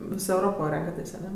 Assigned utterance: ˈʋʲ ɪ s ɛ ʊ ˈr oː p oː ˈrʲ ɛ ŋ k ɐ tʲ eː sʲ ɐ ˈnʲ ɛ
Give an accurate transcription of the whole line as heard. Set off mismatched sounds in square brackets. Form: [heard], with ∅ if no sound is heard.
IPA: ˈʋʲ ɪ s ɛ ʊ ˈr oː p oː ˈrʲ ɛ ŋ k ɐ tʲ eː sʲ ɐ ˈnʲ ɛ